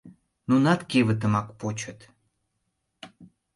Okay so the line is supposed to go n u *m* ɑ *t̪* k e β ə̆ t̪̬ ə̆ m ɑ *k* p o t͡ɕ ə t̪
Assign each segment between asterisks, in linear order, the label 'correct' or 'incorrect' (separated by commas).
incorrect, correct, correct